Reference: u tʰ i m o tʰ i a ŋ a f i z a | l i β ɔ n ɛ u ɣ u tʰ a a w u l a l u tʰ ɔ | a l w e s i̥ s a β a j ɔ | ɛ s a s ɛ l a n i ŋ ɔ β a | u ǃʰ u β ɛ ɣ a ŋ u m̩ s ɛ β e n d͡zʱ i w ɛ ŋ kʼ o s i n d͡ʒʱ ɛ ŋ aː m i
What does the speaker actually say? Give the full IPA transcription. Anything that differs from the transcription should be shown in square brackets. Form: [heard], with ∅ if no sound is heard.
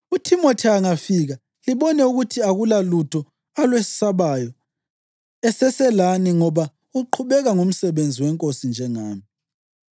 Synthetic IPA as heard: u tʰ i m o tʰ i a ŋ a f i [ɣ] a | l i β ɔ n ɛ u ɣ u tʰ [i] a [ɣ] u l a l u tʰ ɔ | a l w e s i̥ s a β a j ɔ | ɛ s [ɛ] s ɛ l a n i ŋ ɔ β a | u ǃʰ u β ɛ ɣ a ŋ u m̩ s ɛ β e n d͡zʱ i w ɛ ŋ kʼ o s i n d͡ʒʱ ɛ ŋ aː m i